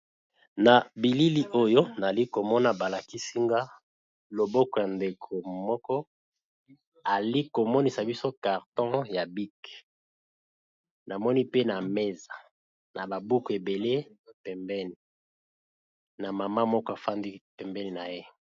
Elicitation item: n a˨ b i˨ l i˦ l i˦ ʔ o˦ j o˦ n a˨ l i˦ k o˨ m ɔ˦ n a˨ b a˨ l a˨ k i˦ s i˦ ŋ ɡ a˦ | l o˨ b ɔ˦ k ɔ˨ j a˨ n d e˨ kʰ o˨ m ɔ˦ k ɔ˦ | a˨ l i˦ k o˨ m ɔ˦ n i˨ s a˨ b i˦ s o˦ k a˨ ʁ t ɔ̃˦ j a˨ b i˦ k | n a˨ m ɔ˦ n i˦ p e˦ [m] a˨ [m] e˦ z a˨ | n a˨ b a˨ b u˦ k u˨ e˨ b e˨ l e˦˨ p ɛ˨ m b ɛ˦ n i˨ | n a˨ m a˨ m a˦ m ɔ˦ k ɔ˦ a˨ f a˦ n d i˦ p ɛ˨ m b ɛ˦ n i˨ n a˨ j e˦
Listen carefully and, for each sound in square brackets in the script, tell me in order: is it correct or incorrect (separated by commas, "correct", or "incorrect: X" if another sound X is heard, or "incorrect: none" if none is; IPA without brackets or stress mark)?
incorrect: n, correct